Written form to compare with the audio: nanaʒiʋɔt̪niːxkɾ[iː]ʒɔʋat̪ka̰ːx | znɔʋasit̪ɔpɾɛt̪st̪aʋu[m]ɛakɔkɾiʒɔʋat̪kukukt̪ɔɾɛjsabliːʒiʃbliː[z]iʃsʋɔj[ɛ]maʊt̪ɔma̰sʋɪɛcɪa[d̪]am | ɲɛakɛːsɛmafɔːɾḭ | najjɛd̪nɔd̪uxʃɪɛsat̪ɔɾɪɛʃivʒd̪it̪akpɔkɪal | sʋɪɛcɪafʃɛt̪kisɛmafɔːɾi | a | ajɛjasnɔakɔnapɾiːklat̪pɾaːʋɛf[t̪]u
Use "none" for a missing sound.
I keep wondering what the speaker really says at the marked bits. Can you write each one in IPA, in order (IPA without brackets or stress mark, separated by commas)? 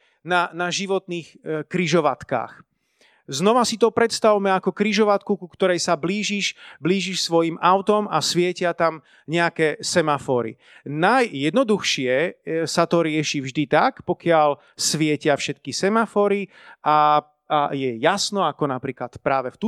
i, m, ʒ, i, t̪, t̪